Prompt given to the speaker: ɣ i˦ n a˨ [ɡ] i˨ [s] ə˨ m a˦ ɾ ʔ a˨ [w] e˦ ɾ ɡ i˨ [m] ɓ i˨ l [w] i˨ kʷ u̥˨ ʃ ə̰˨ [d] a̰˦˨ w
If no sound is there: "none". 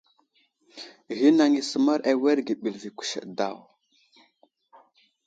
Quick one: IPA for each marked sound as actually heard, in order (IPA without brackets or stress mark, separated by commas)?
ŋ, s, w, none, v, d